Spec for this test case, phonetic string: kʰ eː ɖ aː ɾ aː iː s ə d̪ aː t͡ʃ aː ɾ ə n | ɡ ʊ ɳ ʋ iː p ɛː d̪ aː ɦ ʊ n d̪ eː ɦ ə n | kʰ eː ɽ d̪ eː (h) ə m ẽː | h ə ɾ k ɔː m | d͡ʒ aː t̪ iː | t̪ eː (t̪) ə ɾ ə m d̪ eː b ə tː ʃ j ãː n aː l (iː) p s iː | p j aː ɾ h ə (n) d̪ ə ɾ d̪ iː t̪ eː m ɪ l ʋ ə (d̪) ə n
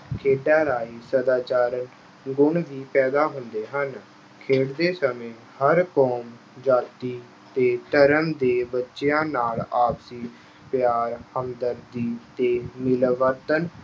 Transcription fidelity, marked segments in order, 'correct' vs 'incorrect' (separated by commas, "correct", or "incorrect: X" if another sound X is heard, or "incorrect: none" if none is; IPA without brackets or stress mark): incorrect: s, correct, incorrect: aː, incorrect: m, incorrect: t̪